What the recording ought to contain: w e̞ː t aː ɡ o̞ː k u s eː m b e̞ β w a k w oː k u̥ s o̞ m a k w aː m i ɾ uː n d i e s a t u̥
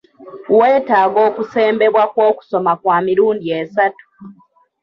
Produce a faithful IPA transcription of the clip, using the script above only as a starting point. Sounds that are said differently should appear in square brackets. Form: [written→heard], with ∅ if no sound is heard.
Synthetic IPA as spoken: w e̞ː t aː ɡ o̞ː k u s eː m b e̞ β w a k w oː k u̥ s o̞ m a k w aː m i ɾ uː n d i e s a t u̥